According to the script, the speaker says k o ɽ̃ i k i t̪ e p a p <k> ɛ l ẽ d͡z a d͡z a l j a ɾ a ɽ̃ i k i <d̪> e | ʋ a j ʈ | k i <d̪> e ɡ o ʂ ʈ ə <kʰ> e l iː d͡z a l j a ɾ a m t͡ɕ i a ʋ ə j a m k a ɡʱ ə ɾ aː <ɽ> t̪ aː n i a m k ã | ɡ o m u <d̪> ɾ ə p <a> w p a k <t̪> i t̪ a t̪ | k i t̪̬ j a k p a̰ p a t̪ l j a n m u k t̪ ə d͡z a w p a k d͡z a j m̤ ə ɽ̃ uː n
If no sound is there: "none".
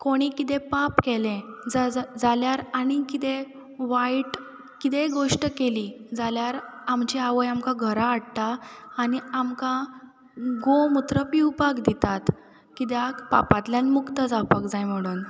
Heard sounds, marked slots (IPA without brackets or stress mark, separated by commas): k, t̪, t̪, k, ɽ, t̪, i, d̪